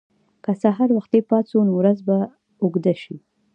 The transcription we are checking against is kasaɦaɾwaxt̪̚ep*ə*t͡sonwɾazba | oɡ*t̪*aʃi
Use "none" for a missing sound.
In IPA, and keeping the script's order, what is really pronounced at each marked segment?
ɑ, d̪

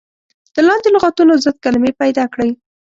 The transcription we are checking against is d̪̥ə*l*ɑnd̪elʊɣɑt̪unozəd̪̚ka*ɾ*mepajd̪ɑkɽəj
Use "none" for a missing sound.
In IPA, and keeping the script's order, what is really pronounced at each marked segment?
l, l

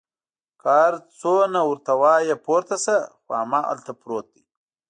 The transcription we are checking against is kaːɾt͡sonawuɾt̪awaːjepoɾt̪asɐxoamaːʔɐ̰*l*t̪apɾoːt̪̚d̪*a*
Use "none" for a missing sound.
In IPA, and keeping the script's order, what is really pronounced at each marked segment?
l, i

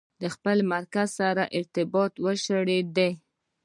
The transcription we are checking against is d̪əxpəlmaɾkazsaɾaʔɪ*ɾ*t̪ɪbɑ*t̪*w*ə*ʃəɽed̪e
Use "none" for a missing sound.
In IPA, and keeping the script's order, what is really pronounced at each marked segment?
ɾ, t̪, ə

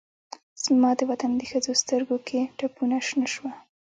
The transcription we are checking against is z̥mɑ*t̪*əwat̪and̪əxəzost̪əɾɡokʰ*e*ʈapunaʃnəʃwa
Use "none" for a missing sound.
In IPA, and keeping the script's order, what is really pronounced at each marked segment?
d̪, e

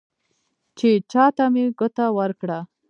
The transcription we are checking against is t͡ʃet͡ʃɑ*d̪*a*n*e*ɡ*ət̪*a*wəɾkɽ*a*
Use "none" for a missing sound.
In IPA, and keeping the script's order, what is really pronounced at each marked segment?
t̪, m, ɡ, a, a

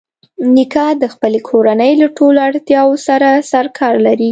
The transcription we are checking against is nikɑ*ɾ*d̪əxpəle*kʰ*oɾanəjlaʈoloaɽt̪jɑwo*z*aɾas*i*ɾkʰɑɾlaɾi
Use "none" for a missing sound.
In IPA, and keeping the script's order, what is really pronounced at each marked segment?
none, kʰ, s, a

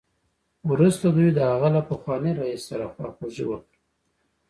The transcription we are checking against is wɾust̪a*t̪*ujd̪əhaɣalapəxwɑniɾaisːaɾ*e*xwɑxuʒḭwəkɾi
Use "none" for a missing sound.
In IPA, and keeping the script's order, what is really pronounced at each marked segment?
d̪, a

